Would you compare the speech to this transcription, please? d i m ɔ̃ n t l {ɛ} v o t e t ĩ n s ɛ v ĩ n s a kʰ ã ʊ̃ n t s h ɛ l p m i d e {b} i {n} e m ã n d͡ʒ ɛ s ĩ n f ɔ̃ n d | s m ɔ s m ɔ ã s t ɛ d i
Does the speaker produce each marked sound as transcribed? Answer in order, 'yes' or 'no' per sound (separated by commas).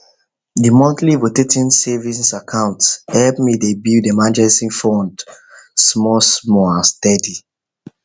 no, yes, no